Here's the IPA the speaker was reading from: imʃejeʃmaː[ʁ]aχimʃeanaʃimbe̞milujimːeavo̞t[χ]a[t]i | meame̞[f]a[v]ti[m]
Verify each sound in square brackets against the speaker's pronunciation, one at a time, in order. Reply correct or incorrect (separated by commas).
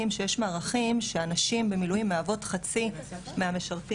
correct, correct, incorrect, incorrect, incorrect, incorrect